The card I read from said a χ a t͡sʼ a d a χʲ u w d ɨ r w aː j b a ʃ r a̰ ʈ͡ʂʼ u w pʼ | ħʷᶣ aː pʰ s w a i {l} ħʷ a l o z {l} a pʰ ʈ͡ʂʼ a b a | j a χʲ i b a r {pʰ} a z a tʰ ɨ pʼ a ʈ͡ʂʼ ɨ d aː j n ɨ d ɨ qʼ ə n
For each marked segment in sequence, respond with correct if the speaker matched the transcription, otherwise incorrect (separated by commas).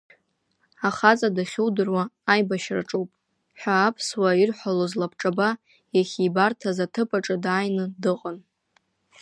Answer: incorrect, correct, incorrect